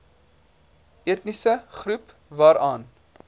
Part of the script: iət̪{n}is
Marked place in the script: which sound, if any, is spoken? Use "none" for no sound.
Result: n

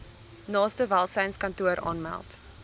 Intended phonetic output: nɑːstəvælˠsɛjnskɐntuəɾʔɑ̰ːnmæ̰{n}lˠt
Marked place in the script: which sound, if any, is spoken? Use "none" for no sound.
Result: none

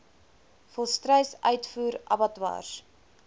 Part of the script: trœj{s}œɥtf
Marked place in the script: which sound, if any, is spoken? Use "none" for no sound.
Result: s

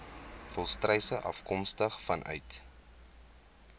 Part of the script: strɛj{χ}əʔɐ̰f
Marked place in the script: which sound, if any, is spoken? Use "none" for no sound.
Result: s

